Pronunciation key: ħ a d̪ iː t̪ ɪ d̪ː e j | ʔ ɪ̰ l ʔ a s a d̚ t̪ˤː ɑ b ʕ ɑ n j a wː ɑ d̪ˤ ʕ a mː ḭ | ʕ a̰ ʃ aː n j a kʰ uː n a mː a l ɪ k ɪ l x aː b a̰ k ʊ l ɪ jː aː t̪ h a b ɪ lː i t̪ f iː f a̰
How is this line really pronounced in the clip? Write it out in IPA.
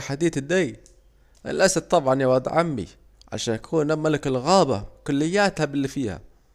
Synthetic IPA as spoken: ħ a d̪ iː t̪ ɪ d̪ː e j | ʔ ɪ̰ l ʔ a s a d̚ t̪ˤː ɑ b ʕ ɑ n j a w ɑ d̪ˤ ʕ a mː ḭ | ʕ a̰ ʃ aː n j a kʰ uː n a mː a l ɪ k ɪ l ɣ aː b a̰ k ʊ lː ɪ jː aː t̪ h a b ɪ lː i f iː h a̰